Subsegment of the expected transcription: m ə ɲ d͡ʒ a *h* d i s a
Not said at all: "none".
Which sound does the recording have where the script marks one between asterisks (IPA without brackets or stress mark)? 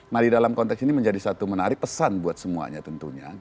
none